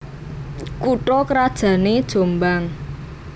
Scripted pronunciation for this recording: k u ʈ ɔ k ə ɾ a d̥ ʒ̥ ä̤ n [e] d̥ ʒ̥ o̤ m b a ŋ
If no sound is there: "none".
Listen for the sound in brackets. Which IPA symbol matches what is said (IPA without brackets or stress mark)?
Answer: e